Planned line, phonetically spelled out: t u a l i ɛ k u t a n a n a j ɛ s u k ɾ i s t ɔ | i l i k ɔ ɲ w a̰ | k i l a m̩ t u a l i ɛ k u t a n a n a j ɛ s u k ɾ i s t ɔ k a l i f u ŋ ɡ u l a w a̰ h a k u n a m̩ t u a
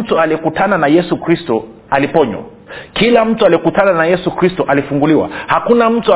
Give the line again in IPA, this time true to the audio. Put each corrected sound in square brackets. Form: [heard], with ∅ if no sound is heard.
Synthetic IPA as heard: t u a l i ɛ k u t a n a n a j ɛ s u k ɾ i s t ɔ | [a] l i [p] ɔ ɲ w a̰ | k i l a m̩ t u a l i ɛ k u t a n a n a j ɛ s u k ɾ i s t ɔ [ʔ] a l i f u ŋ ɡ u l [i] w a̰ h a k u n a m̩ t u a